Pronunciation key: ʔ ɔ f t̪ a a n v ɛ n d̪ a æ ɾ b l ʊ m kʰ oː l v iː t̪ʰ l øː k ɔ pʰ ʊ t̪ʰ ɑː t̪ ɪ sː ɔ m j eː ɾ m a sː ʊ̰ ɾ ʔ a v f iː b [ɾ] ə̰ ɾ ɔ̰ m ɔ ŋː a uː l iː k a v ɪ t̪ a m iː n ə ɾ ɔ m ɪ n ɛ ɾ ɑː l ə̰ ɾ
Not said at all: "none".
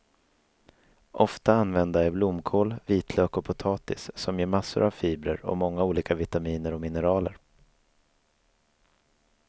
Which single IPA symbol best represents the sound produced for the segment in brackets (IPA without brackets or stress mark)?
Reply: ɾ